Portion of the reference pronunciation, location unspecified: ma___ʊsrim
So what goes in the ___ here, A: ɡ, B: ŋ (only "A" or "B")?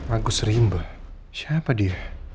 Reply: A